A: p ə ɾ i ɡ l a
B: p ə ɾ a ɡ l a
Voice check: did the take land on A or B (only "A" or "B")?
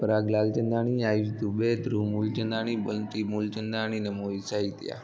B